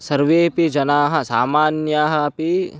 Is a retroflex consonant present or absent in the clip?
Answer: absent